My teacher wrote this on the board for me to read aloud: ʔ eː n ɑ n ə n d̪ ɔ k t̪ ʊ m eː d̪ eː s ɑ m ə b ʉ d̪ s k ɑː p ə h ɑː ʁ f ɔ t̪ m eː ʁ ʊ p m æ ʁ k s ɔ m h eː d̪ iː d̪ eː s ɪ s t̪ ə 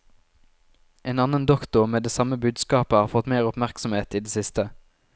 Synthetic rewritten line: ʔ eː n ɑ n ə n d̪ ɔ k t̪ ʊ m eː d̪ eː s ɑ m ə b ʉː d̪ s k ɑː p ə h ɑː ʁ f ɔ t̪ m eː ʁ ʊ p m æ ʁ k s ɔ m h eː t̪ iː d̪ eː s ɪ s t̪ ə